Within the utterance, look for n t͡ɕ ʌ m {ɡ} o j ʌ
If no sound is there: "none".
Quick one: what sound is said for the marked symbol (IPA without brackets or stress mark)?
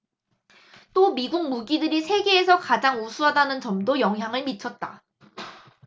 d